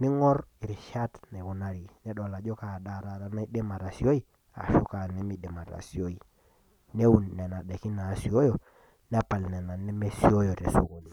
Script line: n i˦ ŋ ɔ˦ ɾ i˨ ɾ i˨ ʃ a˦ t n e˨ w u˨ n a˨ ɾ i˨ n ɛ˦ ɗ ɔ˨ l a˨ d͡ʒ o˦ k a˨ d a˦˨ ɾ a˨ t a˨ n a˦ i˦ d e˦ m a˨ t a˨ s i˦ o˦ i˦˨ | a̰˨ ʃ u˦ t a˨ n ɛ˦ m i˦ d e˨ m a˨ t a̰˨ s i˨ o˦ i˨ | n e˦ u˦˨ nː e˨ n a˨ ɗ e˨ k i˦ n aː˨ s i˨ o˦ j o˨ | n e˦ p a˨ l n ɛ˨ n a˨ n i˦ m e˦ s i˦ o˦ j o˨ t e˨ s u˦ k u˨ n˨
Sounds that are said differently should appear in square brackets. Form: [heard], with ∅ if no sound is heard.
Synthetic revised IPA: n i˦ ŋ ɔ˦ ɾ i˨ ɾ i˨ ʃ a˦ t n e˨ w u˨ n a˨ ɾ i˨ n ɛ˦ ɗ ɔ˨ l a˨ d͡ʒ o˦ k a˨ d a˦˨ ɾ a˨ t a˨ n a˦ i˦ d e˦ m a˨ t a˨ s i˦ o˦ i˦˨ | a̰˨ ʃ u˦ [k] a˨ n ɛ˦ m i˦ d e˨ m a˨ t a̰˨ s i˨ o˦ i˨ | n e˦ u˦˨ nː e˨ n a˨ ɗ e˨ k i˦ n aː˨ s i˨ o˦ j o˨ | n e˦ p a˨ l n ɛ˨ n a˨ n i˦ m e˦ s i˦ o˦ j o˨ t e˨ s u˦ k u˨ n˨